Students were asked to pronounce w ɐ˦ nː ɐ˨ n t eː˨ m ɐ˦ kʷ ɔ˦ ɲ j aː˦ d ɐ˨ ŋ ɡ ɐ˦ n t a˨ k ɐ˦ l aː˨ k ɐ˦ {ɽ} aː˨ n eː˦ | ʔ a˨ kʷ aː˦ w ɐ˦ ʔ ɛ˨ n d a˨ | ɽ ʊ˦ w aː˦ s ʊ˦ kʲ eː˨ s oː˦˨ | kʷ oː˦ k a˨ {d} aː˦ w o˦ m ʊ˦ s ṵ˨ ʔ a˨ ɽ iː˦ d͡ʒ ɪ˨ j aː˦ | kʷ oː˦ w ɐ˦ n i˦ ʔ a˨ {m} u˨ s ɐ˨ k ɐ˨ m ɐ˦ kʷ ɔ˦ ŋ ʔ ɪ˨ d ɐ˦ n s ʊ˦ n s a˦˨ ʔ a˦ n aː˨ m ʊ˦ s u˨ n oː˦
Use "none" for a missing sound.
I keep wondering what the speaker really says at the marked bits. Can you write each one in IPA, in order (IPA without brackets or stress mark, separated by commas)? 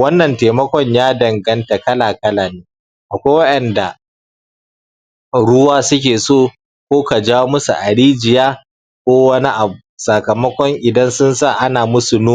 l, d͡ʒ, b